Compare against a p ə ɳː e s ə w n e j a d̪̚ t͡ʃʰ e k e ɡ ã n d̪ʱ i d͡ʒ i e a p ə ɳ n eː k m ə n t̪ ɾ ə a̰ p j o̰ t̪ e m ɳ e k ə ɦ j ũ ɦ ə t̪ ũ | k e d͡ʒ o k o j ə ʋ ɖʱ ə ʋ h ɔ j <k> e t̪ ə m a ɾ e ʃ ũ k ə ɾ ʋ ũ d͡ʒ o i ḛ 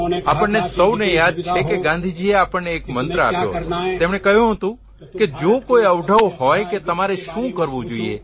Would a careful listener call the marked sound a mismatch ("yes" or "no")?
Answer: no